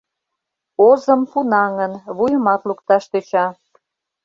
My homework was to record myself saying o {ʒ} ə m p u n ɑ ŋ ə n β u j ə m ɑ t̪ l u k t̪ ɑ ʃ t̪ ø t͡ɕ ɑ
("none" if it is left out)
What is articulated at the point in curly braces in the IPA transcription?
z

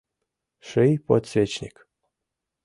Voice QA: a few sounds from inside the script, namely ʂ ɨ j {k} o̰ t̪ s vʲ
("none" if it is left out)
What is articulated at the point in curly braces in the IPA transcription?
p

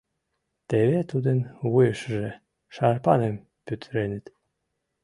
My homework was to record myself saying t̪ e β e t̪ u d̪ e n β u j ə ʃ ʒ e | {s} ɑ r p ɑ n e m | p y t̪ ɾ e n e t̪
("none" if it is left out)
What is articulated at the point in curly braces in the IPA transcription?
ʃ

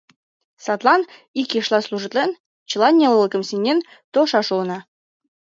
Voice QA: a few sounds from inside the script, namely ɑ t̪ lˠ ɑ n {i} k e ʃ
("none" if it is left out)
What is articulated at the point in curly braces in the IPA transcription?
i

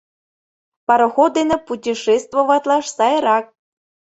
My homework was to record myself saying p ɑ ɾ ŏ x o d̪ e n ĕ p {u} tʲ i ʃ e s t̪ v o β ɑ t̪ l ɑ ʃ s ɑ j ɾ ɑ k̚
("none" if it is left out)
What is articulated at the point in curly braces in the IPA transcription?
u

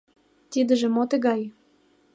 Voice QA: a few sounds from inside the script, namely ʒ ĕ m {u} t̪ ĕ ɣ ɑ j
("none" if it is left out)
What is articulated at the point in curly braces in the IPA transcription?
o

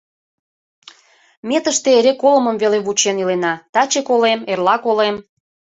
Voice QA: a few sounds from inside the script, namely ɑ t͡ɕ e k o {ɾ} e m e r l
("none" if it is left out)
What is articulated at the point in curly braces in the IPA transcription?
l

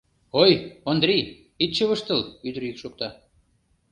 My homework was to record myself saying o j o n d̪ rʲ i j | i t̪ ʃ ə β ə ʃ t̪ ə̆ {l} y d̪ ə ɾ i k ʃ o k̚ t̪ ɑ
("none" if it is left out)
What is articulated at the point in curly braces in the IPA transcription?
l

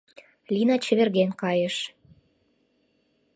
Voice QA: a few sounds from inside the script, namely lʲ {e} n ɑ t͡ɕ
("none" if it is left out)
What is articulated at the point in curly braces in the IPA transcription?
i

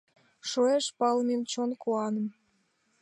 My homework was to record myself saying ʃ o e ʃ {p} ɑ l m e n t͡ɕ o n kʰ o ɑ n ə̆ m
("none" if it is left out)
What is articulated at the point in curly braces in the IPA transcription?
p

